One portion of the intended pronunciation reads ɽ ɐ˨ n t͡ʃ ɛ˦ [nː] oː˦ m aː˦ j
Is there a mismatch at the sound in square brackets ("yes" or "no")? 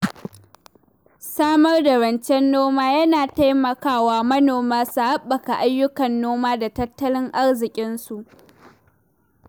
no